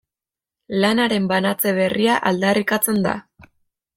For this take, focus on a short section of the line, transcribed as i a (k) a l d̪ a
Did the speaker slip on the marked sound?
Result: yes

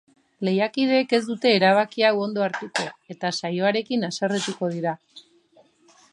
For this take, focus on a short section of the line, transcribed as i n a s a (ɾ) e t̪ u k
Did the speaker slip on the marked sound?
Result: yes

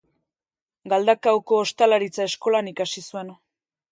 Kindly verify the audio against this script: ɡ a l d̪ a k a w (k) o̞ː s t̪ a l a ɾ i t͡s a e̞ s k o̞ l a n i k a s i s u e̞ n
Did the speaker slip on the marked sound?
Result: no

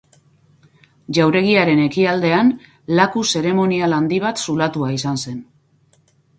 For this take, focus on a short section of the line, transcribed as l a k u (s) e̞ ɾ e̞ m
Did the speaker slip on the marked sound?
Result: no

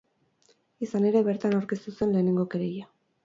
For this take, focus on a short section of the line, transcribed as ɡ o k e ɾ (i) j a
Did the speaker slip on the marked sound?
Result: yes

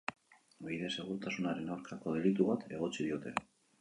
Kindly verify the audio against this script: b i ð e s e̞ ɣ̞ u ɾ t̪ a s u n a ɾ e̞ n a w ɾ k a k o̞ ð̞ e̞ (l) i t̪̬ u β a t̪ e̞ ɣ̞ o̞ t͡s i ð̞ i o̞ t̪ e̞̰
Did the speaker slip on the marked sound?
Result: no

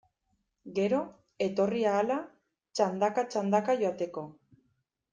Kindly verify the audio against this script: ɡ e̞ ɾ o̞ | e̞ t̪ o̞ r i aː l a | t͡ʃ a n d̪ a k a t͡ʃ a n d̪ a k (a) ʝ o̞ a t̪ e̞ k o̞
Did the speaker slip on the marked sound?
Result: no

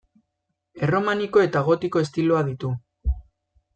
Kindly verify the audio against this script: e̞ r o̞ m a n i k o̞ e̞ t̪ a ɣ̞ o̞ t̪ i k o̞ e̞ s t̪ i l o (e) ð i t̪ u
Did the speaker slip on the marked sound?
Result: yes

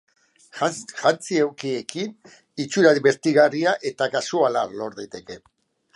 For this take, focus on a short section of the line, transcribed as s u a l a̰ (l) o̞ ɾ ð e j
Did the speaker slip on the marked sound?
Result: no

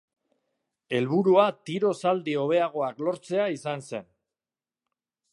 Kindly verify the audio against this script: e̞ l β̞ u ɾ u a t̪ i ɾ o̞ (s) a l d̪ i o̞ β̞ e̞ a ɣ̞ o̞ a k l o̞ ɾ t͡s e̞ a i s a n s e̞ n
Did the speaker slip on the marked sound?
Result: no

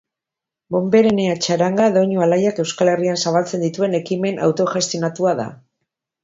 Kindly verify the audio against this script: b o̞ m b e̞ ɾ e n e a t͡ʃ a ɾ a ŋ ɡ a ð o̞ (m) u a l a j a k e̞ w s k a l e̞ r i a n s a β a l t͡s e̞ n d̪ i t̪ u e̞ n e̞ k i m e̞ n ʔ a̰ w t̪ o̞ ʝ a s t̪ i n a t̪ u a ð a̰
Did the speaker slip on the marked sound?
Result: yes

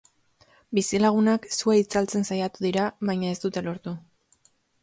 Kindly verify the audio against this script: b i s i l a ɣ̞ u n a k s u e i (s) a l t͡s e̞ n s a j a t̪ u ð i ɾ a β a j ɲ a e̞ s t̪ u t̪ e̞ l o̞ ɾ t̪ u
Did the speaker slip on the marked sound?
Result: yes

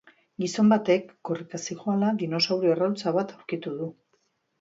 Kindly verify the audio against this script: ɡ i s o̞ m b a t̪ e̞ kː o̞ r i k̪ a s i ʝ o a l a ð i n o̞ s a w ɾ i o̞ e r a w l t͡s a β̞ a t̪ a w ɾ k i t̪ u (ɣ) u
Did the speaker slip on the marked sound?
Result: yes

